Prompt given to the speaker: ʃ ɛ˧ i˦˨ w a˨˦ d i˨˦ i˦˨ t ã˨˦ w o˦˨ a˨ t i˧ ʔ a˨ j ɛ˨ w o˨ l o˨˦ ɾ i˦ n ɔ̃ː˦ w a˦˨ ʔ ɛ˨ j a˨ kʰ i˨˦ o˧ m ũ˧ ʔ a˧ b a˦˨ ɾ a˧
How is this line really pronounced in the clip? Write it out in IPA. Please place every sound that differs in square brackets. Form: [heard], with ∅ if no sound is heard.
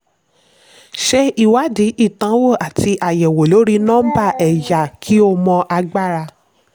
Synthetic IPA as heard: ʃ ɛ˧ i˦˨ w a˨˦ d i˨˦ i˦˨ t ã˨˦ w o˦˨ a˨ t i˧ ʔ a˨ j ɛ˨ w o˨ l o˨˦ ɾ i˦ n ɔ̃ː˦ [b] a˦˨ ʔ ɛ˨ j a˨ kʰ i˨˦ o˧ m [ɔ̃˧] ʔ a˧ [ɡ͡b] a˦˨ ɾ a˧